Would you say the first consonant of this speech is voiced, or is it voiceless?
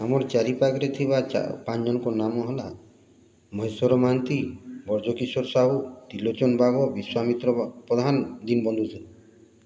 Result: voiced